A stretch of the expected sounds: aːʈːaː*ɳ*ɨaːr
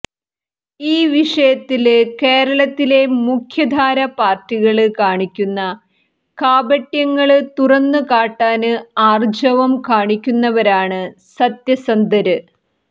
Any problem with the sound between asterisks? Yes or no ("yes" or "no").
yes